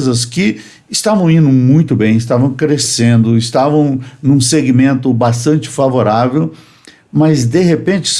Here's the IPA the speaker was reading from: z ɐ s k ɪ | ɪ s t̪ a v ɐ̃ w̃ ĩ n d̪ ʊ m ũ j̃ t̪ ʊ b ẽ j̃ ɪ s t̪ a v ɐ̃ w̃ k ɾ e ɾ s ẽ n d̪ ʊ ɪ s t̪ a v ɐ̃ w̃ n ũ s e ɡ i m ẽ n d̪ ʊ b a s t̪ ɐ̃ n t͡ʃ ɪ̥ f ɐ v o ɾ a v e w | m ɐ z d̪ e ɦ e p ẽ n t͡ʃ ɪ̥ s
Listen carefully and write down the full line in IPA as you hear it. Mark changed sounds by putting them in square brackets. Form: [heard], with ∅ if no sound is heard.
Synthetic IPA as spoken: z ɐ s k ɪ | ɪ s t̪ a v ɐ̃ w̃ ĩ n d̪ ʊ m ũ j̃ t̪ ʊ b ẽ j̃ ɪ s t̪ a v ɐ̃ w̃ k ɾ e [∅] s ẽ n d̪ ʊ ɪ s t̪ a v ɐ̃ w̃ n ũ s e ɡ i m ẽ n [t̪] ʊ b a s t̪ ɐ̃ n t͡ʃ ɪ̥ f [a] v o ɾ a v e w | m ɐ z d̪ e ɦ e p ẽ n t͡ʃ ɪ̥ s